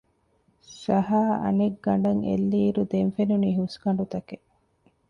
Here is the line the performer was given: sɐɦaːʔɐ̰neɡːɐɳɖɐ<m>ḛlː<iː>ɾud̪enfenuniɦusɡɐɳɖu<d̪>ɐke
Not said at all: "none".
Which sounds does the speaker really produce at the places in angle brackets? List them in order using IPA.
ŋ, iː, t̪

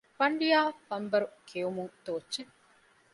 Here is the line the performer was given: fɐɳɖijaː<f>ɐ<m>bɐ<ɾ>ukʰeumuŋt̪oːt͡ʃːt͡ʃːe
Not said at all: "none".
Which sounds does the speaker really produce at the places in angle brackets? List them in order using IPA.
f, m, ɾ

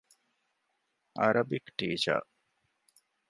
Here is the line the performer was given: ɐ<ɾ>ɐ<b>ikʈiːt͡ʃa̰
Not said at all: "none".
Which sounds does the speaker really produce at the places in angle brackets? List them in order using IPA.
ɾ, b

